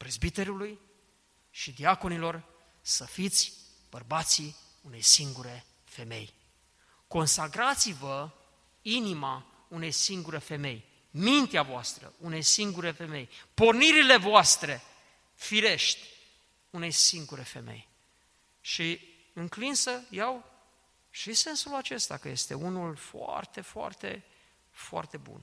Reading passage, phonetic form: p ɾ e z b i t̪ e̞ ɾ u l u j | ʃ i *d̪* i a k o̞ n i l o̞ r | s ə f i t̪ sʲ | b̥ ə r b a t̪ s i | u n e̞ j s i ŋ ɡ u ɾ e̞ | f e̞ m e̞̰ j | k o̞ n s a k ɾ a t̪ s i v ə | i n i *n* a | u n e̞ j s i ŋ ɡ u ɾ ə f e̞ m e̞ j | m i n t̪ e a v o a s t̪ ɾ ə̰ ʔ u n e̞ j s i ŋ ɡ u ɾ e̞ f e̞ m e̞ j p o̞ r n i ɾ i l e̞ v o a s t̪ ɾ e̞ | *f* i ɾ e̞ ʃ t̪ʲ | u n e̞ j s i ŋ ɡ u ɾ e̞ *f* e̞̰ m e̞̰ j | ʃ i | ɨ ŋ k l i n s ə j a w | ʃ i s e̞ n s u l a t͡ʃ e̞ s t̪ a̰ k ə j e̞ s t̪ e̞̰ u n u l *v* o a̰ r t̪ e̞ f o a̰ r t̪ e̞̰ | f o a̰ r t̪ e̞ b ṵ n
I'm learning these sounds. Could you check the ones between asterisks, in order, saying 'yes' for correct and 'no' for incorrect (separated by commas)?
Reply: yes, no, yes, yes, no